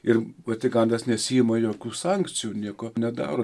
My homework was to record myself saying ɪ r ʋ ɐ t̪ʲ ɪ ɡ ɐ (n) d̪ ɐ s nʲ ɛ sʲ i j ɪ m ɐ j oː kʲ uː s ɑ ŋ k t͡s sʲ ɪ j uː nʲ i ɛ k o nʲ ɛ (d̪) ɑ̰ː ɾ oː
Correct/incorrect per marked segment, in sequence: correct, correct

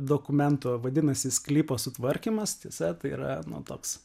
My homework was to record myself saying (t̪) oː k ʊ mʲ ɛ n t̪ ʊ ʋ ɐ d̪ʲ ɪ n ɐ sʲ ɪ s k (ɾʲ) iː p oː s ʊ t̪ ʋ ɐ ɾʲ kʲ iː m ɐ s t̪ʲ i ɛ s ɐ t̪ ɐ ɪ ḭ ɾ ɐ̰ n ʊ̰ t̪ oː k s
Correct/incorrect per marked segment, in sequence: incorrect: d̪, incorrect: lʲ

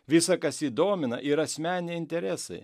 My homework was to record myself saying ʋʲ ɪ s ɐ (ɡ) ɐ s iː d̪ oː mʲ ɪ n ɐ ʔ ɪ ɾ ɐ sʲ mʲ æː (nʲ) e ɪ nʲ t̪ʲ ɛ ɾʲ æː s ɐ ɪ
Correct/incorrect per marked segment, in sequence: incorrect: k, correct

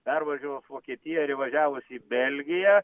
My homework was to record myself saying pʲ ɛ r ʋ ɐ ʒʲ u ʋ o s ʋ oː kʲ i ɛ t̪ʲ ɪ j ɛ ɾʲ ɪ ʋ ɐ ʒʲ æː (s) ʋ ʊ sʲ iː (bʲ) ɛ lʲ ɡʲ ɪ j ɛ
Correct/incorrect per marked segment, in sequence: incorrect: none, correct

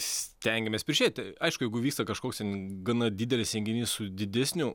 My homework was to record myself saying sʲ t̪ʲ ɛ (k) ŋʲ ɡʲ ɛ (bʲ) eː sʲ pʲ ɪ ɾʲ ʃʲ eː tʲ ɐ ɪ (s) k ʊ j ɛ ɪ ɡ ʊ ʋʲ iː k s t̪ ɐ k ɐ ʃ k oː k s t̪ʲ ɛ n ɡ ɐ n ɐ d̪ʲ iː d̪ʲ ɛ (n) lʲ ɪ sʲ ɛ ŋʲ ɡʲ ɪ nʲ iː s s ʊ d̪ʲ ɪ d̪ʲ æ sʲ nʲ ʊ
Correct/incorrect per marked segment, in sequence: incorrect: none, incorrect: mʲ, incorrect: ʃ, incorrect: none

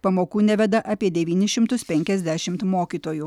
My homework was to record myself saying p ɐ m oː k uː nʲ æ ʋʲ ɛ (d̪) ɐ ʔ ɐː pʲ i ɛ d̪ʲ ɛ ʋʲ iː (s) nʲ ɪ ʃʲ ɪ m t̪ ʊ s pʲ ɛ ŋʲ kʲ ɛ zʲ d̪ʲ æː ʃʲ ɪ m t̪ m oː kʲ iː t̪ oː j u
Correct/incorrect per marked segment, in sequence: correct, incorrect: none

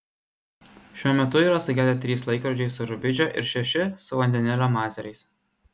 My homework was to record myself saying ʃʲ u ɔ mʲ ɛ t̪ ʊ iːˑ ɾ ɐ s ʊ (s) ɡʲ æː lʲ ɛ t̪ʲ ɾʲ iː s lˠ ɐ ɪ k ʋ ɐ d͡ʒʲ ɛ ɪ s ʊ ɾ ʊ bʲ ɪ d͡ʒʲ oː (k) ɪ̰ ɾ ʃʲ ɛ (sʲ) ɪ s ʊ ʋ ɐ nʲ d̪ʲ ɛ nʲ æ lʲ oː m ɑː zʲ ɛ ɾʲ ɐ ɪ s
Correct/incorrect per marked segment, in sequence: incorrect: none, incorrect: ʔ, incorrect: ʃʲ

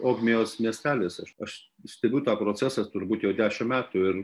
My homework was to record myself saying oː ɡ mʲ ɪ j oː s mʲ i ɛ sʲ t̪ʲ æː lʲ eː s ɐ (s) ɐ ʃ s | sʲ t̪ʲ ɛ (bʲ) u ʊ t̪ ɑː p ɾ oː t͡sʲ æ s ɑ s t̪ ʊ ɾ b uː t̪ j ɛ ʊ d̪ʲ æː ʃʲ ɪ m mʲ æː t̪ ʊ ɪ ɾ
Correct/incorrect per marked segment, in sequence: incorrect: ʃ, correct

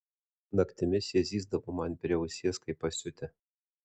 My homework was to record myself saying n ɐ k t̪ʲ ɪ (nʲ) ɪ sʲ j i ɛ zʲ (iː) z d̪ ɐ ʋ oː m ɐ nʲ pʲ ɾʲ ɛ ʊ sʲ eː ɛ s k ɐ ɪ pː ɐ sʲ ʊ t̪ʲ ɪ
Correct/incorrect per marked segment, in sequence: incorrect: mʲ, correct

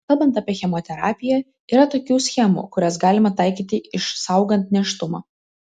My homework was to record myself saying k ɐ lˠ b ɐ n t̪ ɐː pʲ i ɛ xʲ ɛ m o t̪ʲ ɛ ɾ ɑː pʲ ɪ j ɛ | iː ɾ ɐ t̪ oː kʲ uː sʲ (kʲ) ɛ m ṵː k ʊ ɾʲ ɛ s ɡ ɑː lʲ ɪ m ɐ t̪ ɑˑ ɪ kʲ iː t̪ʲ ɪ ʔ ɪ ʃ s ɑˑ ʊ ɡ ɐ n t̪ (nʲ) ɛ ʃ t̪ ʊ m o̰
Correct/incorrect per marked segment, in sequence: incorrect: xʲ, correct

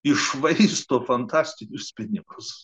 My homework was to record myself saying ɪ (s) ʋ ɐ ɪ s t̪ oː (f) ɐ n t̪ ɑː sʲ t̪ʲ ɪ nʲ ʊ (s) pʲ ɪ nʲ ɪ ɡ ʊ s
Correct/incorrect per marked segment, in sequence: incorrect: ʃ, correct, correct

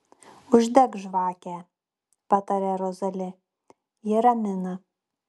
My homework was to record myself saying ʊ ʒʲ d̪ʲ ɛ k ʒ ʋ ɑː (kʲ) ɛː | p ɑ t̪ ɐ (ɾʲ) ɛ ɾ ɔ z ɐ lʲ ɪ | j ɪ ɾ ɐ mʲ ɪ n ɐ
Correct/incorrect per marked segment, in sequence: correct, correct

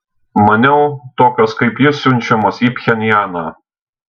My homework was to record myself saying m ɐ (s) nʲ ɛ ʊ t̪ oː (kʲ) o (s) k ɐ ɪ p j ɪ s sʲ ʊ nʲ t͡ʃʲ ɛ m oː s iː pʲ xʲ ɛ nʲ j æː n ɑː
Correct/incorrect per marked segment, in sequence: incorrect: none, correct, correct

